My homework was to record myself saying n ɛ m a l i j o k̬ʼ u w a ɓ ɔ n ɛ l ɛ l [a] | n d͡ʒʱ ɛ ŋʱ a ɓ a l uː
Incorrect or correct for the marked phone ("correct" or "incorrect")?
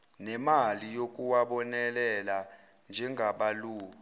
correct